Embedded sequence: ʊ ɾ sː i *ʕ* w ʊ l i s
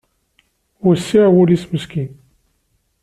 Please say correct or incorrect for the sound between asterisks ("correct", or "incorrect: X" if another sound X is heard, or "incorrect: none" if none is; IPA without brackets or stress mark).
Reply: correct